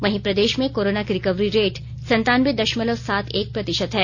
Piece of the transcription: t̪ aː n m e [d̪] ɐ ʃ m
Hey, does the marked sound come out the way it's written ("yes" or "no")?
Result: yes